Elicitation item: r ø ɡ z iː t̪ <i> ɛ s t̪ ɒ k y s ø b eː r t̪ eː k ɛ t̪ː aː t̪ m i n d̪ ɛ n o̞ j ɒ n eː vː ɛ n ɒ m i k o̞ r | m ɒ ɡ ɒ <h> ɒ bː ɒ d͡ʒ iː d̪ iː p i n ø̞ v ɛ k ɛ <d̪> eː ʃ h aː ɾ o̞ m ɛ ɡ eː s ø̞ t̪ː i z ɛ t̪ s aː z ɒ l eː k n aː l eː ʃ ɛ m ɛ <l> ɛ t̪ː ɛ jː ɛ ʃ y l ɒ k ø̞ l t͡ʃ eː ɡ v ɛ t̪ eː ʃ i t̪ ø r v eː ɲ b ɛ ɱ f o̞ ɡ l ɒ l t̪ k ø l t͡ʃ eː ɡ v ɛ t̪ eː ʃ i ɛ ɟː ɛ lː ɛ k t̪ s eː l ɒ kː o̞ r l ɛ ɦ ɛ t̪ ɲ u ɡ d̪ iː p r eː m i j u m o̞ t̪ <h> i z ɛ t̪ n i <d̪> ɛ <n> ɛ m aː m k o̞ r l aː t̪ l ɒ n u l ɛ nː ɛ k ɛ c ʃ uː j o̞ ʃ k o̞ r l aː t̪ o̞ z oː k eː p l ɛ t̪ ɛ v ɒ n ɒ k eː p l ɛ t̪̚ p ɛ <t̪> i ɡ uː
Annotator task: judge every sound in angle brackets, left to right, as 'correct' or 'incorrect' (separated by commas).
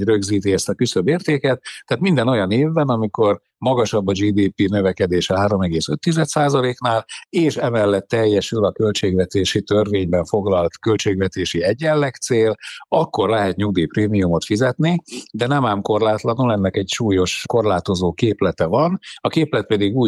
correct, incorrect, correct, incorrect, incorrect, correct, correct, incorrect